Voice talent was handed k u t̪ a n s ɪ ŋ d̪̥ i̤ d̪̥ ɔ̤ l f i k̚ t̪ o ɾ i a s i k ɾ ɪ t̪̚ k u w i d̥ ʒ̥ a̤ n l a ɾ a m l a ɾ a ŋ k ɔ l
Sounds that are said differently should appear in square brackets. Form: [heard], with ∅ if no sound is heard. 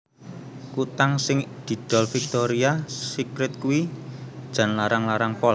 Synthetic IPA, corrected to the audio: k u t̪ a [ŋ] s ɪ ŋ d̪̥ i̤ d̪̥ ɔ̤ l f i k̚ t̪ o ɾ i a s i k ɾ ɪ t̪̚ k u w i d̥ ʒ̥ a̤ n l a ɾ a [ŋ] l a ɾ a ŋ [p] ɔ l